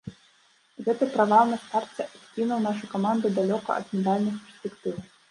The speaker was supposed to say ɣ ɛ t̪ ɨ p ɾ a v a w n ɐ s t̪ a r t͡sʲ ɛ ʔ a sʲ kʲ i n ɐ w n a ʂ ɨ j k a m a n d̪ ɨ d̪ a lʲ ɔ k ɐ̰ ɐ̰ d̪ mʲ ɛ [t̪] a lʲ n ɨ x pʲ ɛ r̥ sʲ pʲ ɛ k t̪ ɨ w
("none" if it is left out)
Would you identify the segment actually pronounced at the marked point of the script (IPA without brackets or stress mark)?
d̪